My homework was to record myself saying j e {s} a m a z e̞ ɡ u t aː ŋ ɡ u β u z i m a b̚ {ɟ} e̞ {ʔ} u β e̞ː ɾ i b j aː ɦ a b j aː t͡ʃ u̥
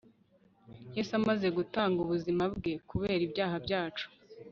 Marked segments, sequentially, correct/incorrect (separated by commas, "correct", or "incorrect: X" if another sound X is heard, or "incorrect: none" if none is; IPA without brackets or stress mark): correct, incorrect: ɡ, incorrect: k